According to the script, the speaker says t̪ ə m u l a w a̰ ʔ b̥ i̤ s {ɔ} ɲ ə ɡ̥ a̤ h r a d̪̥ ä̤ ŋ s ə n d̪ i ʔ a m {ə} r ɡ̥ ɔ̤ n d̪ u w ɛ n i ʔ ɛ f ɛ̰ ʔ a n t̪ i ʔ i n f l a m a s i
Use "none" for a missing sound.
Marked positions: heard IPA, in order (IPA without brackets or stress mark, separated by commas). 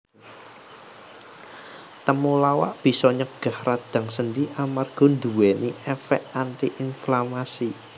ɔ, a